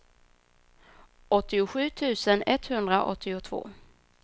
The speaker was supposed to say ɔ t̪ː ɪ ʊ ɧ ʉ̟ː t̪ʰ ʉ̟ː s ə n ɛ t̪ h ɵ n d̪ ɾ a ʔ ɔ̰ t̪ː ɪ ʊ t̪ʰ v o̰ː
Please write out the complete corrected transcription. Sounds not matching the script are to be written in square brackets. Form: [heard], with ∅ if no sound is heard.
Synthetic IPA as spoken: ɔ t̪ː ɪ ʊ ɧ ʉ̟ː t̪ʰ ʉ̟ː s ə n ɛ t̪ h ɵ n d̪ ɾ a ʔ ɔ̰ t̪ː ɪ ʊ t̪ʰ v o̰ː